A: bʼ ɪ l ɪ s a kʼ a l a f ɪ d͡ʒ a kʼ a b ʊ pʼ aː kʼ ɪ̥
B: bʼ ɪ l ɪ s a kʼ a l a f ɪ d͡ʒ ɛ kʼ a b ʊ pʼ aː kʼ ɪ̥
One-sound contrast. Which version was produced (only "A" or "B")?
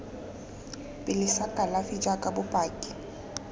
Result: A